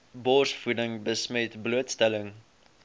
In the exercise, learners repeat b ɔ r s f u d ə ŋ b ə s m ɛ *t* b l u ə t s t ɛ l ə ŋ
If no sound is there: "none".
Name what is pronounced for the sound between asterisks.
t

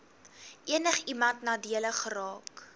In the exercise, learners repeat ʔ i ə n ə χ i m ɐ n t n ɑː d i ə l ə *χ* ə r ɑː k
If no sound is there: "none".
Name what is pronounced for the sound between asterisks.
χ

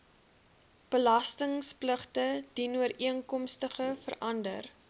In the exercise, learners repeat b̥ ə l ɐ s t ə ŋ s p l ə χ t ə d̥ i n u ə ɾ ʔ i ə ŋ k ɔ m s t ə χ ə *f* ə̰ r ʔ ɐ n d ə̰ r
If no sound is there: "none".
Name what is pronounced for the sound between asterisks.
f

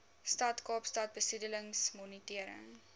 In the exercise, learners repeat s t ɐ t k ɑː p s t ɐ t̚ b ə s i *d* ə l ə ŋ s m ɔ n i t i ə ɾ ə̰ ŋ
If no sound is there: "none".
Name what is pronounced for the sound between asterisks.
d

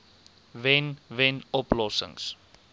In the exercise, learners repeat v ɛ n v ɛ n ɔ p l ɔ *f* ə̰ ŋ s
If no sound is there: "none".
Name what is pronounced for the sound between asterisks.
s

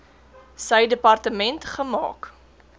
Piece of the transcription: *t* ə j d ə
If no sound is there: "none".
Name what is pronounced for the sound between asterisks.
s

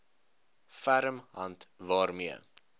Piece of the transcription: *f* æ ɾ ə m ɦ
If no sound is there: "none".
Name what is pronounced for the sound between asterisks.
f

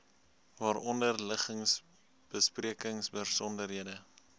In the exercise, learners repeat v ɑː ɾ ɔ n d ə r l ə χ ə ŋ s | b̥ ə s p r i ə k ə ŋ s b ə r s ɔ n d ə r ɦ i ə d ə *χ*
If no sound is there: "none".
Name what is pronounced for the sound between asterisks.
none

